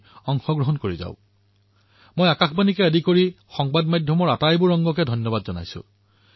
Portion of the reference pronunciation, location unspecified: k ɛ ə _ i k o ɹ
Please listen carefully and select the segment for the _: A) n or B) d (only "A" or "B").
B